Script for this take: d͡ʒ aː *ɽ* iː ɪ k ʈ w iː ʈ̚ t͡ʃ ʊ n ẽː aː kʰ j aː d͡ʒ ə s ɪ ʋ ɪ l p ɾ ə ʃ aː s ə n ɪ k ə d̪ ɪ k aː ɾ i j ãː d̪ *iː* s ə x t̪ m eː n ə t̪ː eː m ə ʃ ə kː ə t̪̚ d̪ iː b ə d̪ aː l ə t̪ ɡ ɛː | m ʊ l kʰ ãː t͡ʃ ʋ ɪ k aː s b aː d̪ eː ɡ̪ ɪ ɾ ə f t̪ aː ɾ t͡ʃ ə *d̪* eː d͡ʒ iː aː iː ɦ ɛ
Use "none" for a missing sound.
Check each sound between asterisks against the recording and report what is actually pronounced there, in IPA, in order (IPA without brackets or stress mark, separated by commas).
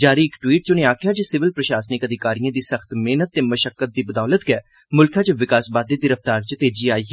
ɾ, iː, t̪